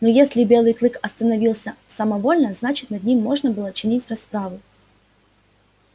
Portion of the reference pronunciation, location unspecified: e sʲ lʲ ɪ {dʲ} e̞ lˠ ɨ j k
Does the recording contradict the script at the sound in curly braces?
yes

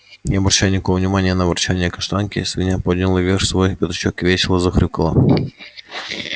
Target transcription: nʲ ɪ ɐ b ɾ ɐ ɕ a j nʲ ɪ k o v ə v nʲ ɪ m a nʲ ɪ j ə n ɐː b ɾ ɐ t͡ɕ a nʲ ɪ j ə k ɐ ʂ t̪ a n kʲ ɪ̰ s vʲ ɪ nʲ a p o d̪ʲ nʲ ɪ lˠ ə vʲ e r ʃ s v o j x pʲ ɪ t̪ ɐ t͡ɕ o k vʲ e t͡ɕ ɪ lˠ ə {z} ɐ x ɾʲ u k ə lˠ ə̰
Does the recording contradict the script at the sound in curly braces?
no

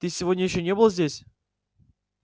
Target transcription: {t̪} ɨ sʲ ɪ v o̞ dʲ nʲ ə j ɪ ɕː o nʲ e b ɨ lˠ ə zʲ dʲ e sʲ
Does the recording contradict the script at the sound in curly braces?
no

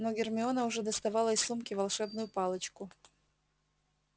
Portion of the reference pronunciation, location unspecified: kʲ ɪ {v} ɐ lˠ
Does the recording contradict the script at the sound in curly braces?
no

